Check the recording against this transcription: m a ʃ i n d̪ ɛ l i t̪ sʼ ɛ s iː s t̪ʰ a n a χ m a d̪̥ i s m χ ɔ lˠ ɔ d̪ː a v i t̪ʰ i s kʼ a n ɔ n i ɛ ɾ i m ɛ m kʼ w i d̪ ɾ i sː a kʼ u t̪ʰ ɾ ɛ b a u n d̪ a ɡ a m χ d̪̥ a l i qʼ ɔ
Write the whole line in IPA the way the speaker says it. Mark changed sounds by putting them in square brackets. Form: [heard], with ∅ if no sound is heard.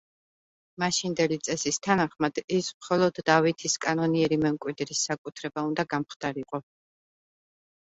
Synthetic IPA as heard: m a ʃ i n d̪ ɛ l i t̪ sʼ ɛ s [i] s t̪ʰ a n a χ m a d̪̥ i s m χ ɔ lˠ ɔ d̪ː a v i t̪ʰ i s kʼ a n ɔ n i ɛ ɾ i m ɛ m kʼ w i d̪ ɾ i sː a kʼ u t̪ʰ ɾ ɛ b a u n d̪ a ɡ a m χ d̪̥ a [ɾ] i qʼ ɔ